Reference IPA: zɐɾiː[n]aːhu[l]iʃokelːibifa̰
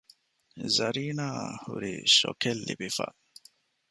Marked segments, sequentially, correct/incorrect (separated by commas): correct, incorrect